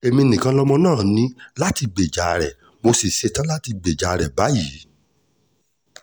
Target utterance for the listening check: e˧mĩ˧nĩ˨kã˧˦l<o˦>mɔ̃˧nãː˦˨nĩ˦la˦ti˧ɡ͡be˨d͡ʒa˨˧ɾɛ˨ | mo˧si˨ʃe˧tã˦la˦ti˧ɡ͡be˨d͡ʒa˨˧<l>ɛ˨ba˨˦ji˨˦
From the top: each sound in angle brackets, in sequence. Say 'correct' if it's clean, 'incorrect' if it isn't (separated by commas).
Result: incorrect, incorrect